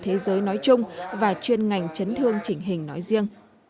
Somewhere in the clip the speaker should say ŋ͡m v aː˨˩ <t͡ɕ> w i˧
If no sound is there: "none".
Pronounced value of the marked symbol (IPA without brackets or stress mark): t͡ɕ